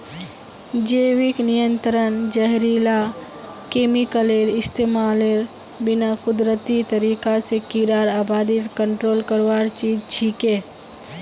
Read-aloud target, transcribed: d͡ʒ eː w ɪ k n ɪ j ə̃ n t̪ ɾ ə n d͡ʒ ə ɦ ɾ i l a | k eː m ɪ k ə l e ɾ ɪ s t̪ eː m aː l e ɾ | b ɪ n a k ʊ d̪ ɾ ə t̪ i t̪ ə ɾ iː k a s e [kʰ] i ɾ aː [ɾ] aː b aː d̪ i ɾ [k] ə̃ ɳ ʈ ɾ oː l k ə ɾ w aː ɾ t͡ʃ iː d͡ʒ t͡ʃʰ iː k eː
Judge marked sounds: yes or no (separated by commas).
no, yes, yes